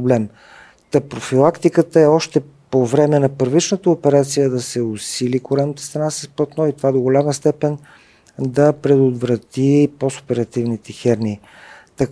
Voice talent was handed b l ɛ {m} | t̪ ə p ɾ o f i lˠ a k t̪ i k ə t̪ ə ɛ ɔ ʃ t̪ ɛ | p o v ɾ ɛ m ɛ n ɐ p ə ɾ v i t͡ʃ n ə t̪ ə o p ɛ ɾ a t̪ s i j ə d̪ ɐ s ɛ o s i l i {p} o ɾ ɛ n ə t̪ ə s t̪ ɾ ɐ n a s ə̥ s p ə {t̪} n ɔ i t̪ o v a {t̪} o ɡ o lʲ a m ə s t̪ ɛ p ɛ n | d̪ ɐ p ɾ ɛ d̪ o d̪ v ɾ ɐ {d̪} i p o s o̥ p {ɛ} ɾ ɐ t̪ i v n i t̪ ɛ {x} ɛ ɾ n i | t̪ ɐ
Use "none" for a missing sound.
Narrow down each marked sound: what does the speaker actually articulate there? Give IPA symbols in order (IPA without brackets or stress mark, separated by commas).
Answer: m, k, t̪, d̪, t̪, ɛ, x